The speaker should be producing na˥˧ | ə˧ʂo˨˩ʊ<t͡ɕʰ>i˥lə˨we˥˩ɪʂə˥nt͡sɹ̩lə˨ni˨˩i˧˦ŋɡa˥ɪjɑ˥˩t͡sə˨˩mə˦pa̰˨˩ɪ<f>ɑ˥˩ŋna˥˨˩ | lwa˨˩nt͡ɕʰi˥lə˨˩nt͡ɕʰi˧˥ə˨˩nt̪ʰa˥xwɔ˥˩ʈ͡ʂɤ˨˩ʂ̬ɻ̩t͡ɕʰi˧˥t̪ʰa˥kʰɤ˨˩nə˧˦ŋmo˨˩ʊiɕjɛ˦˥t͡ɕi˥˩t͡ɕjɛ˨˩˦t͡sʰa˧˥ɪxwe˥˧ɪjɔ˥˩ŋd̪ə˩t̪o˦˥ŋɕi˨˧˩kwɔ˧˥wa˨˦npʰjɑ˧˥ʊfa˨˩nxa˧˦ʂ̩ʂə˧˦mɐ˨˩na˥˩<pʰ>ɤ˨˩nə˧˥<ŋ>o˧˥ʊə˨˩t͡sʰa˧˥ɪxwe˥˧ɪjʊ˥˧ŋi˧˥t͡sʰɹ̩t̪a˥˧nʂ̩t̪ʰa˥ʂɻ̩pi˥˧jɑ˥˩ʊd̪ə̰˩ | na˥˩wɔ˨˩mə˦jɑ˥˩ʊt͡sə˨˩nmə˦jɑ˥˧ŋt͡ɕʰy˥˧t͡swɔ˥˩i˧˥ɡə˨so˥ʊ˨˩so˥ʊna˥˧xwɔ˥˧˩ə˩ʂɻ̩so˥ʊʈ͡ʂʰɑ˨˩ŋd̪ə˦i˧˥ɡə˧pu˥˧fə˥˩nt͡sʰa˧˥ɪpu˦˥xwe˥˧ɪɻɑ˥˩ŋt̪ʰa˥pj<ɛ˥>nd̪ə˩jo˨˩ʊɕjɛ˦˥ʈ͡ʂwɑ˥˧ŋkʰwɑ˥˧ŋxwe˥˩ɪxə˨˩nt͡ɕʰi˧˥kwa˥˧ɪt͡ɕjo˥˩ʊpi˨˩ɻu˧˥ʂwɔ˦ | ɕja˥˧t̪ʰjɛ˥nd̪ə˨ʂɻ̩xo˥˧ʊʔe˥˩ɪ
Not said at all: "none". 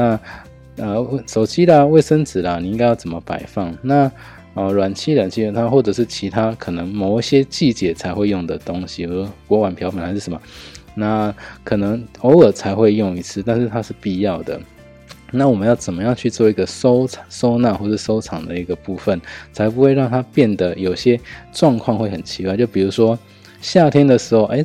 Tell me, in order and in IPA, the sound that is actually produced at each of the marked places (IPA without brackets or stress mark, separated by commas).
t͡ɕ, f, kʰ, ŋ, ɛ˥˩